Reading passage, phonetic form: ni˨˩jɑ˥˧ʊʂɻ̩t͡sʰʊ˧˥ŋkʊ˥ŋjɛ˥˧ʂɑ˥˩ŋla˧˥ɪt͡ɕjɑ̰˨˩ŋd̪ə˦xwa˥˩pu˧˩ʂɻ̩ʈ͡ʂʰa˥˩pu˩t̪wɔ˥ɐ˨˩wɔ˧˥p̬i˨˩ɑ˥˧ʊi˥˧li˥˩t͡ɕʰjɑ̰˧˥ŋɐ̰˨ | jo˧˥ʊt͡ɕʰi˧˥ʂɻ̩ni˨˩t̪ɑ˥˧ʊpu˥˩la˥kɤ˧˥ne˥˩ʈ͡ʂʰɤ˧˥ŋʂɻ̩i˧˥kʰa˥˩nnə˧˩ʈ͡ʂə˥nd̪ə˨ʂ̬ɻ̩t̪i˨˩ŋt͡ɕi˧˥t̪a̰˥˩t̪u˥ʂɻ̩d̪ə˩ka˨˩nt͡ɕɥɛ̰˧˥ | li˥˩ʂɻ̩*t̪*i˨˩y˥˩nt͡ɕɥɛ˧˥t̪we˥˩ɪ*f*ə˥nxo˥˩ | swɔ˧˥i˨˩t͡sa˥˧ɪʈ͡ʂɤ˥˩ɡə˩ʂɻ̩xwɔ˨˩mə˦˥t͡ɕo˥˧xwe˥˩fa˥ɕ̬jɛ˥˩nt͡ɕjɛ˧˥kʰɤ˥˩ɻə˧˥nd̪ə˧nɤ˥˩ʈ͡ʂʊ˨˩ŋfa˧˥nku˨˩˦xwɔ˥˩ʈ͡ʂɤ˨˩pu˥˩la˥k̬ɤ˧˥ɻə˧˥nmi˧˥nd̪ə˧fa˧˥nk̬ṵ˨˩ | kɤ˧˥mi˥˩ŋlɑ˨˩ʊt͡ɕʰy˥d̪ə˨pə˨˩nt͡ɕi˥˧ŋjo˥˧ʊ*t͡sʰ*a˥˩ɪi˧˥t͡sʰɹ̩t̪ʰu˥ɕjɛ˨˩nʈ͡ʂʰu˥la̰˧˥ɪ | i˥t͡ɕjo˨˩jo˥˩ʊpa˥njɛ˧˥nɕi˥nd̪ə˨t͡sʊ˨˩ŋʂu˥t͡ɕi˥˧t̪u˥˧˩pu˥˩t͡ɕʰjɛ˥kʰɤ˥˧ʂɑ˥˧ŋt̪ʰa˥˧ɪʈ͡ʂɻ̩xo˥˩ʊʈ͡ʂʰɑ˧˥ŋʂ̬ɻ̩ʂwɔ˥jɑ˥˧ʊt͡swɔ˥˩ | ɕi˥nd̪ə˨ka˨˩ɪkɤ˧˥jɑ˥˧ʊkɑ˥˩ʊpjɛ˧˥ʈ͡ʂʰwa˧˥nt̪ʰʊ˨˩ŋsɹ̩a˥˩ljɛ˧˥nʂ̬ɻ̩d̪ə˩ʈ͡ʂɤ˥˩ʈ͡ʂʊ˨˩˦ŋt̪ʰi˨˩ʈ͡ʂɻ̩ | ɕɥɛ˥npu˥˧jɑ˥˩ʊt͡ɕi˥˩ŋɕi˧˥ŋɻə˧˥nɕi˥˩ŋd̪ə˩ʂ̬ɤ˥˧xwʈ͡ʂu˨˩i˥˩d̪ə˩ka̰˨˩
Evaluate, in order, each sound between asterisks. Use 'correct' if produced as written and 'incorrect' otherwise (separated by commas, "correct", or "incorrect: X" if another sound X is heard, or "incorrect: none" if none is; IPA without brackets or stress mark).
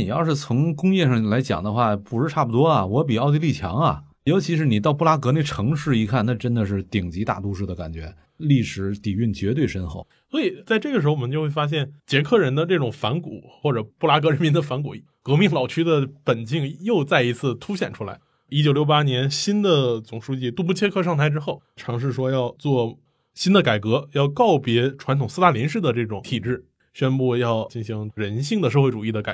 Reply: correct, incorrect: ʂ, incorrect: t͡s